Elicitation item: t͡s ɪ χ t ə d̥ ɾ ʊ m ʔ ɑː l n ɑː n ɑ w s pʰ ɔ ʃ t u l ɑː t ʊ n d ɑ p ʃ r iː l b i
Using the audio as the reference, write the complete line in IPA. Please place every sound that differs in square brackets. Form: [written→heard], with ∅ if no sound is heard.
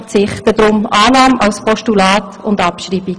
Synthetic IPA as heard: t͡s ɪ χ t ə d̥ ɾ ʊ m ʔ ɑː [l→∅] n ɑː [n→m] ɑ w s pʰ ɔ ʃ t u l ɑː t ʊ n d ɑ p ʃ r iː [l→∅] b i